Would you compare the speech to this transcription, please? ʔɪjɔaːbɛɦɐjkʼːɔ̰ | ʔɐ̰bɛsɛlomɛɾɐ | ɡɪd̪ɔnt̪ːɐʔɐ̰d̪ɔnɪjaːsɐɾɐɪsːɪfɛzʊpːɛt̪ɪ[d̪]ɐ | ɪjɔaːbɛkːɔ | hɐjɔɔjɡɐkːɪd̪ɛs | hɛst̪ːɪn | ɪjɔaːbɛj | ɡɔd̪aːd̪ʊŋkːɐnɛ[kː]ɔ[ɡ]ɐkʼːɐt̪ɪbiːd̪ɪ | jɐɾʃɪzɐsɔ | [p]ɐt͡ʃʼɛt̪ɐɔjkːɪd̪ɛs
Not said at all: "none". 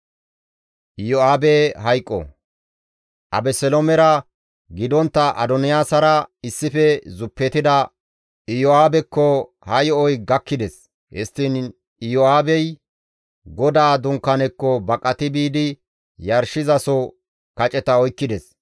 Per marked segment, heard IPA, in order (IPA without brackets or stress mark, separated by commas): d̪, kː, b, k